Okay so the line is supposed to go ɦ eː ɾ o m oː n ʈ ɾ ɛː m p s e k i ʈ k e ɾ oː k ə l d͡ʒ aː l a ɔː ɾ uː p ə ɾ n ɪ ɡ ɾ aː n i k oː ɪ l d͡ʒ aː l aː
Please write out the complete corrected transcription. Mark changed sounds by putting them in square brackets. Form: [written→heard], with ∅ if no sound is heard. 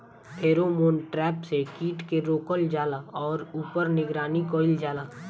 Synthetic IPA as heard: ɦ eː ɾ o m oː n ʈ ɾ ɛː [m→∅] p s e k [i→iː] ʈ k e ɾ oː k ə l d͡ʒ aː l a ɔː ɾ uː p ə ɾ n ɪ ɡ ɾ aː n i k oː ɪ l d͡ʒ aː l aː